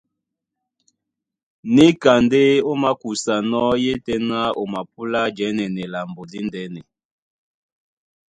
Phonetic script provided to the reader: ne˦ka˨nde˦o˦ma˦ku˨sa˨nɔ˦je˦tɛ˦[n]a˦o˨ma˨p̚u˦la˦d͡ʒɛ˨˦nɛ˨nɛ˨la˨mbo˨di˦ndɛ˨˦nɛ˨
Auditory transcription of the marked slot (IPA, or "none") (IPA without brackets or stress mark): n